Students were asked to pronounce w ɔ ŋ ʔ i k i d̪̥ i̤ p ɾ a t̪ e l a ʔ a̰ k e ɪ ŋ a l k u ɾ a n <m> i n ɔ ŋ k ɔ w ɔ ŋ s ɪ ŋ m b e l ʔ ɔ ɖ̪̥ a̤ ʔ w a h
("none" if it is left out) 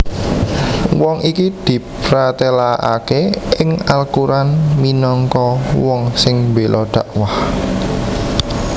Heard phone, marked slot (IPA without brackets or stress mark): m